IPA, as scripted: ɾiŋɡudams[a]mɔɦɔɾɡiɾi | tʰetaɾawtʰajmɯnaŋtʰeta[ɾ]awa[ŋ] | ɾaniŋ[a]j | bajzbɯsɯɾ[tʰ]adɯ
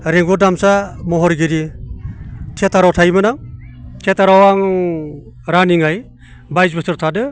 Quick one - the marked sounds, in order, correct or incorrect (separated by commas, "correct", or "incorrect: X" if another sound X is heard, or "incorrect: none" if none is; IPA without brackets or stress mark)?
correct, correct, correct, correct, correct